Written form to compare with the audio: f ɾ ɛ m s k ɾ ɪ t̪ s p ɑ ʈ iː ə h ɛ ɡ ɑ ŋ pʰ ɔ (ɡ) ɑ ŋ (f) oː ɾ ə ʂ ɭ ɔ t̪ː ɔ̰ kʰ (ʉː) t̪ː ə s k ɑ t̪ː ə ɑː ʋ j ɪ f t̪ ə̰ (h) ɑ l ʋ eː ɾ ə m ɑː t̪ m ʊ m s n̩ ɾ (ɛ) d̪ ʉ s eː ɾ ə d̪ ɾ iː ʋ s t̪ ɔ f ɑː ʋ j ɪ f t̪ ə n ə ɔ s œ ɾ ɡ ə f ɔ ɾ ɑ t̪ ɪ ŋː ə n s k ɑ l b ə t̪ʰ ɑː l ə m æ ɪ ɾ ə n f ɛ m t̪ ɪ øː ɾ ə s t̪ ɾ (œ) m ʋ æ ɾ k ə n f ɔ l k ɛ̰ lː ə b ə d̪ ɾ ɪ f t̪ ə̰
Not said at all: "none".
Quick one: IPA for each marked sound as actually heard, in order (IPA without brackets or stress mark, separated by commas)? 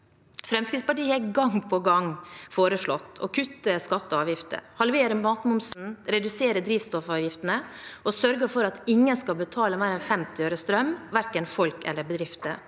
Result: ɡ, f, ʉ, h, ɛ, œ